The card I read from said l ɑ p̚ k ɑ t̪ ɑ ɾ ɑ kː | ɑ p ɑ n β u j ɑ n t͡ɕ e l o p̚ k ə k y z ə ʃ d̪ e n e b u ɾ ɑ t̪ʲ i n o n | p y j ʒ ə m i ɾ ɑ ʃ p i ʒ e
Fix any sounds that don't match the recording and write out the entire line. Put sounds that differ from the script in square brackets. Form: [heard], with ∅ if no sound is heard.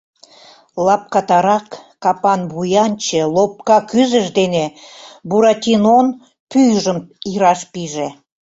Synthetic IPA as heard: l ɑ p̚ k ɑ t̪ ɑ ɾ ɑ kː | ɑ p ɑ n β u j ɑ n t͡ɕ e l o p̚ k [ɑ] k y z ə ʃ d̪ e n e b u ɾ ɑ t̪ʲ i n o n | p y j ʒ ə m i ɾ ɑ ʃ p i ʒ e